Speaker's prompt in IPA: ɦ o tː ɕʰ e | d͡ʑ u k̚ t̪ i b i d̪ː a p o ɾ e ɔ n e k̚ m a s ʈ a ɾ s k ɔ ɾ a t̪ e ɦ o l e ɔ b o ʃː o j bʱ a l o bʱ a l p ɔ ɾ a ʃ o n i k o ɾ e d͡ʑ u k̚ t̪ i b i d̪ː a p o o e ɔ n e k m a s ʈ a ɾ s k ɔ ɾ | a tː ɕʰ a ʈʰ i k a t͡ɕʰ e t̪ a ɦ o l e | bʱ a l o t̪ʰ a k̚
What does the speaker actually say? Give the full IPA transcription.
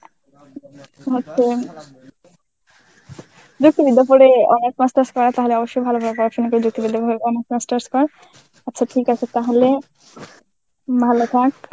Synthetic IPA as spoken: ɦ o tː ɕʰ e | d͡ʑ u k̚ t̪ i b i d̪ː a p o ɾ e ɔ n e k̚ m a s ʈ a ɾ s k ɔ ɾ a t̪ a ɦ o l e ɔ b o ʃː o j bʱ a l o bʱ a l p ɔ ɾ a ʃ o n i k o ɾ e d͡ʑ u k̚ t̪ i b i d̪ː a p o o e ɔ n e k m a s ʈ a ɾ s k ɔ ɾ | a tː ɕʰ a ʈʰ i k a t͡ɕʰ e t̪ a ɦ o l e | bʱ a l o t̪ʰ a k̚